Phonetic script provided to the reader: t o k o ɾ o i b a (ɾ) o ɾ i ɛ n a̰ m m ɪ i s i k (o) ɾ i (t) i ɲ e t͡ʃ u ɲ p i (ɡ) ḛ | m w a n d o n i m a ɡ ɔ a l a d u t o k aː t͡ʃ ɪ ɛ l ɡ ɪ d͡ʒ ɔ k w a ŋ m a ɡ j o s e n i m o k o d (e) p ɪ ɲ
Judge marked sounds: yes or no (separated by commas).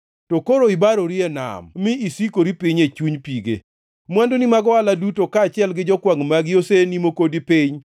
yes, yes, no, yes, no